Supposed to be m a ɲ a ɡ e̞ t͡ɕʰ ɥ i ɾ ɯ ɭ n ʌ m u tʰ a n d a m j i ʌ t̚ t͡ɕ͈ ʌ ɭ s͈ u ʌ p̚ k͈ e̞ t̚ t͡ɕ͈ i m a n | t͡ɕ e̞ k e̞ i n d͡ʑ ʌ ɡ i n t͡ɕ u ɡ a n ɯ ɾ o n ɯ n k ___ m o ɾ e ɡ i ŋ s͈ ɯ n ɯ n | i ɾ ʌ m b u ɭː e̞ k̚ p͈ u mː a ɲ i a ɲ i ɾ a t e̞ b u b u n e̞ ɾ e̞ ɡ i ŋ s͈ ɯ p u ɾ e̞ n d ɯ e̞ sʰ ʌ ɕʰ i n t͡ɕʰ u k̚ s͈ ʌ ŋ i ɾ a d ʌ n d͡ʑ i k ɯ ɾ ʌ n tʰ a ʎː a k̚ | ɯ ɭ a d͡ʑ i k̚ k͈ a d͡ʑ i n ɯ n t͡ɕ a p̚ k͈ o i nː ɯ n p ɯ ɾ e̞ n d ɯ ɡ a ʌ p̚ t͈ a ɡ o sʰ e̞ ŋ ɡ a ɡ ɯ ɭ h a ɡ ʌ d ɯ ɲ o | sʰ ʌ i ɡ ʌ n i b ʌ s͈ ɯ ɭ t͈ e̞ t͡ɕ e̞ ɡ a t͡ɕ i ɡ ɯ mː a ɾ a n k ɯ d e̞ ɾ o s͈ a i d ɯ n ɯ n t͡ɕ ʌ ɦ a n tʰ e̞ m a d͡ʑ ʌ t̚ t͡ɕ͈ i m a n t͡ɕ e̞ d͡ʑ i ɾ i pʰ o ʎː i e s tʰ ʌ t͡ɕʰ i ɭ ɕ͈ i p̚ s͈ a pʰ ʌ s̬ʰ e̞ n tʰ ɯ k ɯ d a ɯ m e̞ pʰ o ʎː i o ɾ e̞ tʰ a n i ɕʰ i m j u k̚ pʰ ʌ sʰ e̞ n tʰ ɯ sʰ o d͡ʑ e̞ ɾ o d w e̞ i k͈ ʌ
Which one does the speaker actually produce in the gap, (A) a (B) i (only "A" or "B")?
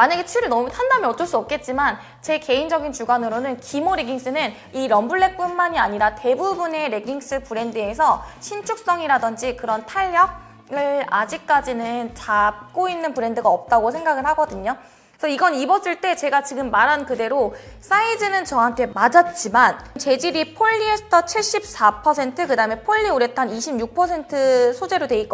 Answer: B